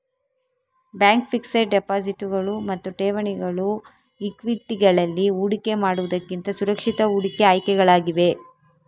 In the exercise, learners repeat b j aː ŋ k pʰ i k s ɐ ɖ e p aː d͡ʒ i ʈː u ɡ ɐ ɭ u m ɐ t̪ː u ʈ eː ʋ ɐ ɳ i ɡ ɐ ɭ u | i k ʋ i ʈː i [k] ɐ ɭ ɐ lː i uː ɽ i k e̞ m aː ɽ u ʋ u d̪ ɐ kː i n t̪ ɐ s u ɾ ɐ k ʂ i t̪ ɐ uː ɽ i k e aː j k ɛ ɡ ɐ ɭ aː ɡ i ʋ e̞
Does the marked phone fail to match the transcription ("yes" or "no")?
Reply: yes